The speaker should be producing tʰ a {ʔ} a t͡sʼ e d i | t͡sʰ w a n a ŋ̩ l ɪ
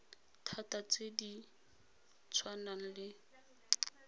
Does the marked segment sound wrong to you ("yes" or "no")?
yes